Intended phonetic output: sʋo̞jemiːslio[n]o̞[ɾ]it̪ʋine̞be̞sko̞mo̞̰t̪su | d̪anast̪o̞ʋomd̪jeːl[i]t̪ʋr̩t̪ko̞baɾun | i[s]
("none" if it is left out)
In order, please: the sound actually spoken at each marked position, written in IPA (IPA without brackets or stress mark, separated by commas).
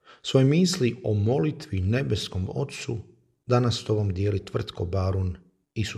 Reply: m, l, i, s